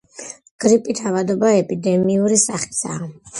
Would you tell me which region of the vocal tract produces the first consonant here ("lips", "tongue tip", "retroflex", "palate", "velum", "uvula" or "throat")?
velum